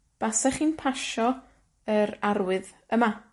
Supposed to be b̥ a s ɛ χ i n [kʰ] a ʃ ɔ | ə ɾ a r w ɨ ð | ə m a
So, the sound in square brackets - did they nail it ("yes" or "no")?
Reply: no